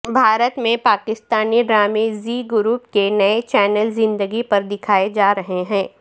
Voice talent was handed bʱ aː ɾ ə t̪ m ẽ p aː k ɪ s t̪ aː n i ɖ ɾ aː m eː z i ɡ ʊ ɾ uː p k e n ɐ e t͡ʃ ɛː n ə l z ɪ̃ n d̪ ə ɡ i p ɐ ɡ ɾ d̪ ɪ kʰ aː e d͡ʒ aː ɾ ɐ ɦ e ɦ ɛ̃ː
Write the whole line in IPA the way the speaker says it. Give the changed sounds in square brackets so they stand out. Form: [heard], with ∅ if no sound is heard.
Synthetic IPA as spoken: bʱ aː ɾ ə t̪ m ẽ p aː k ɪ s t̪ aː n i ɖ ɾ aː m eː z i ɡ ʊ ɾ uː p k e n ɐ e t͡ʃ ɛː n ə l z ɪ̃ n d̪ ə ɡ i p ɐ [∅] ɾ d̪ ɪ kʰ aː e d͡ʒ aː ɾ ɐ ɦ e ɦ ɛ̃ː